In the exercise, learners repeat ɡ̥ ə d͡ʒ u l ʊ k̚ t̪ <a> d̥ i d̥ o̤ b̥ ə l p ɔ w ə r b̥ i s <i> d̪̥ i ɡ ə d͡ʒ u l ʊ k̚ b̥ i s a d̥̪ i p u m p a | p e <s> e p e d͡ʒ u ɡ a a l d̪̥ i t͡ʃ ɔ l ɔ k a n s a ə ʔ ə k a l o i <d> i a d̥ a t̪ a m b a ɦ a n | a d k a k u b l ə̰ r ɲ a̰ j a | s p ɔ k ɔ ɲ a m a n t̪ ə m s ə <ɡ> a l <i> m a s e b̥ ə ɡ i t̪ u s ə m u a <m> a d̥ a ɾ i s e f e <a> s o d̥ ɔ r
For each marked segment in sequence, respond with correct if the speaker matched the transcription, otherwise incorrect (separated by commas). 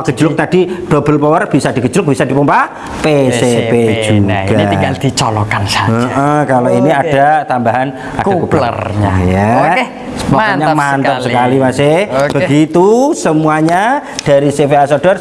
correct, incorrect, correct, incorrect, incorrect, correct, incorrect, correct